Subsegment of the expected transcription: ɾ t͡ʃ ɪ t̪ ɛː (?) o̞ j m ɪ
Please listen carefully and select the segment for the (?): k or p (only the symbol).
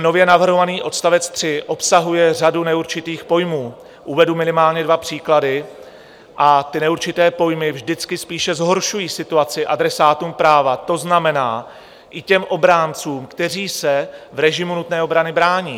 p